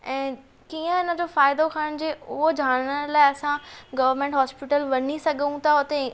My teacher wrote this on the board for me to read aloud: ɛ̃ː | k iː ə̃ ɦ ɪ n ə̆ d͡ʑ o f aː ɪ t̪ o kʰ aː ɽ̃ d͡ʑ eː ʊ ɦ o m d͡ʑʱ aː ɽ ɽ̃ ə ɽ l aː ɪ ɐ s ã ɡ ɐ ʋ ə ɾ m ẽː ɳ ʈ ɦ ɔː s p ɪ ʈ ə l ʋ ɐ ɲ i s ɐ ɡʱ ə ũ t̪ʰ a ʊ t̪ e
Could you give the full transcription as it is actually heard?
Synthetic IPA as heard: ɛ̃ː | k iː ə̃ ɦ ɪ n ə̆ d͡ʑ o f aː ɪ d̪ o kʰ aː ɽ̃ d͡ʑ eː ʊ ɦ o d͡ʑʱ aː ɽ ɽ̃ ə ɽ l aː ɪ ɐ s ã ɡ ɐ ʋ ə ɾ m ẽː ɳ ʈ ɦ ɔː s p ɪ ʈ ə l ʋ ɐ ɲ i s ɐ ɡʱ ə ũ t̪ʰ a ʊ t̪ e